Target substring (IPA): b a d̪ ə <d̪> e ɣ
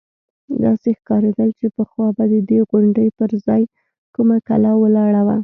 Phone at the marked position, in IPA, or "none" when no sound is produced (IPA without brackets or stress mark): d̪